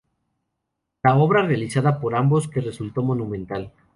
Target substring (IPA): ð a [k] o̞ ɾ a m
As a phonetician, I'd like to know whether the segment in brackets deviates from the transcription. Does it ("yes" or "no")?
yes